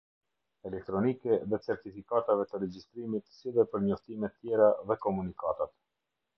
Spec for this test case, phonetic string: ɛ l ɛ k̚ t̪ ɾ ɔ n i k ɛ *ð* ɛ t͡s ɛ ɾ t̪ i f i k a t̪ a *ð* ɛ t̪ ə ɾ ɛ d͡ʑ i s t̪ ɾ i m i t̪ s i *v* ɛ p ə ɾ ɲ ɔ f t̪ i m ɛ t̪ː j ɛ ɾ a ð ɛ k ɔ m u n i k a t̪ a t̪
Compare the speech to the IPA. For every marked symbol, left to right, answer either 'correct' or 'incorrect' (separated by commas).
correct, incorrect, incorrect